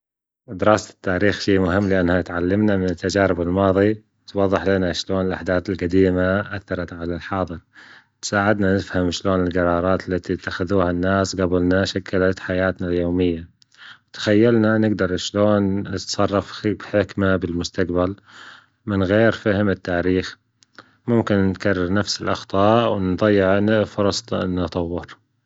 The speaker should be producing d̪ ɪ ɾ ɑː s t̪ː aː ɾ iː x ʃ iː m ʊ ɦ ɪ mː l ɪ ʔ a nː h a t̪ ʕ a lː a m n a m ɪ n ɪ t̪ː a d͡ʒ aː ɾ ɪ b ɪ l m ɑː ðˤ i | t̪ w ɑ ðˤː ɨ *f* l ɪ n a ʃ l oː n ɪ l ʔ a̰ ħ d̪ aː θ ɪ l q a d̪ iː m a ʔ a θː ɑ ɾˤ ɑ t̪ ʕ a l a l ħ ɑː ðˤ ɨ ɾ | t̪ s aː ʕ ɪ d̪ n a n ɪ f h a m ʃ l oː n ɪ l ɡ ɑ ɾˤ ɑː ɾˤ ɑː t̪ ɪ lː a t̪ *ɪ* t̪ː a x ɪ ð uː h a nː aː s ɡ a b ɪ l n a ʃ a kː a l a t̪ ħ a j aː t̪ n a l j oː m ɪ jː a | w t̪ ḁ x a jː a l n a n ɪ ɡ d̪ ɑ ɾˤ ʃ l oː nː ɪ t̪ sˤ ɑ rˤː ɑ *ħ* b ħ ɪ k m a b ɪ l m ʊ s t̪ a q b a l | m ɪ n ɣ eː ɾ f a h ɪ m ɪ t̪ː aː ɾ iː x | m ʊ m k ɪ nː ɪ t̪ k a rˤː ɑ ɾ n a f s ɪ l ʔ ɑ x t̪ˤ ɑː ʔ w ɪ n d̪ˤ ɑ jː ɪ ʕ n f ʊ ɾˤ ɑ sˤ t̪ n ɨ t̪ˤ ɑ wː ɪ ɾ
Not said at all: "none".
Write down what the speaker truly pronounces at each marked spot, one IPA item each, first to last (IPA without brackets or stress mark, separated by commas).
ħ, i, f